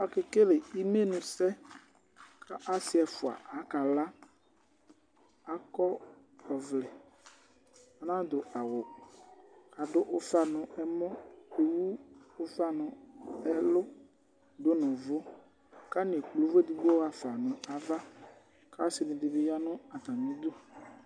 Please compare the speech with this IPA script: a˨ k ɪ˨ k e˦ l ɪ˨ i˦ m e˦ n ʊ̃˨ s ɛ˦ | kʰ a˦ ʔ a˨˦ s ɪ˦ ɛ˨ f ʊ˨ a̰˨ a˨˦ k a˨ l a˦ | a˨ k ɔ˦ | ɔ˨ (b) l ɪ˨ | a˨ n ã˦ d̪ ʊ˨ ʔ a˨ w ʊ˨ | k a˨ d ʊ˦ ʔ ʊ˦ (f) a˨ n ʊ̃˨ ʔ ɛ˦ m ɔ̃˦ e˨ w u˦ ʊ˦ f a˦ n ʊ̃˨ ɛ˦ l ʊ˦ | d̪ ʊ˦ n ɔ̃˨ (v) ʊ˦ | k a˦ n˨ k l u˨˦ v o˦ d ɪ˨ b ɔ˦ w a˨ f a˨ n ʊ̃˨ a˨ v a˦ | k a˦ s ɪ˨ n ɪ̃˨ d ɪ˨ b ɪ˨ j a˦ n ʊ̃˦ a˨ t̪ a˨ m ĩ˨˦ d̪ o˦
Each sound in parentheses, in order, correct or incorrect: incorrect: v, correct, correct

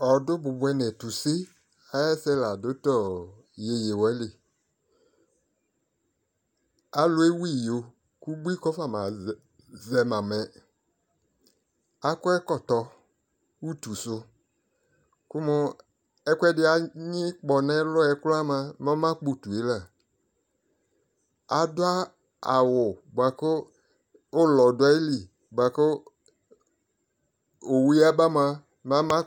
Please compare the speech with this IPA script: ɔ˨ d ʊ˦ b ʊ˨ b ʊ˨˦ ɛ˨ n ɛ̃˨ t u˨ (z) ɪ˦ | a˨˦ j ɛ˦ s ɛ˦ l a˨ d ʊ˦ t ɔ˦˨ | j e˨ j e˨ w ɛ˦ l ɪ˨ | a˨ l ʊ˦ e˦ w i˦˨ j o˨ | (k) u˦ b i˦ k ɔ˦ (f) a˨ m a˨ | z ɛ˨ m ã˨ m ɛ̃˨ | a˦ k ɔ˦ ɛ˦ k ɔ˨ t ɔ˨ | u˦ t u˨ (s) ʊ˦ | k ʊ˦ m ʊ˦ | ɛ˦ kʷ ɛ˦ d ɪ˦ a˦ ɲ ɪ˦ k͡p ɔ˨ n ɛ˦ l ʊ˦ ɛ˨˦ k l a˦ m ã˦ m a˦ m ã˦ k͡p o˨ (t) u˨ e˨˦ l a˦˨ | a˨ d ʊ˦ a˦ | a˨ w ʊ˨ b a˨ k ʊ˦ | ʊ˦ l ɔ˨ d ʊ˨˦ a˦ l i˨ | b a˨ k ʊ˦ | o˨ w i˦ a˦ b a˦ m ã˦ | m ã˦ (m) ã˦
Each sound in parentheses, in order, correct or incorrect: incorrect: s, correct, correct, correct, correct, correct

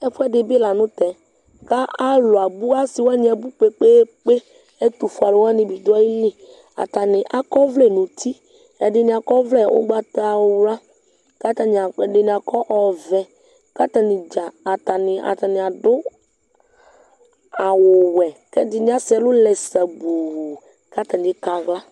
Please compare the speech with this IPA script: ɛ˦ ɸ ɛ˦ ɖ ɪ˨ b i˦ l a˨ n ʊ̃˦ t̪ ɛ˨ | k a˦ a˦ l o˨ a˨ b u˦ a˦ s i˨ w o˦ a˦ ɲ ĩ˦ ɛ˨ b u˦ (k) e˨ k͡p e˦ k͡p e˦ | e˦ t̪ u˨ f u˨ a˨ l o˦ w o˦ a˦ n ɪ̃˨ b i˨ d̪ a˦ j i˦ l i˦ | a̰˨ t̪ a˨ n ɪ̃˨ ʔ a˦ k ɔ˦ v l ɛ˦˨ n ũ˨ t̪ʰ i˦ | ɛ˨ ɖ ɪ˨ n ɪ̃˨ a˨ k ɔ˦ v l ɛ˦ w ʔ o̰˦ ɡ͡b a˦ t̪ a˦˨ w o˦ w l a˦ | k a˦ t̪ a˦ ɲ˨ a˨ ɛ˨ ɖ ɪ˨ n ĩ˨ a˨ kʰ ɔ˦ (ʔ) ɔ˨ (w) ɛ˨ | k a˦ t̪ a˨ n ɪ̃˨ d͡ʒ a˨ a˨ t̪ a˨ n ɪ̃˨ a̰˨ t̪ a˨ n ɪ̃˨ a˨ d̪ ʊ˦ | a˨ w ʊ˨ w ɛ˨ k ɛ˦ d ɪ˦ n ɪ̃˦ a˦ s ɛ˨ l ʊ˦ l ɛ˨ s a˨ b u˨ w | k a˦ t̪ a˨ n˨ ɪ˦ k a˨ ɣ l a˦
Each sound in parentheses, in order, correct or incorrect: incorrect: k͡p, correct, incorrect: v

